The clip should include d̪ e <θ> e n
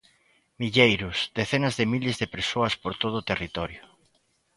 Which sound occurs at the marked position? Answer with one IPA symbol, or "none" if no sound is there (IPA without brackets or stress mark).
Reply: θ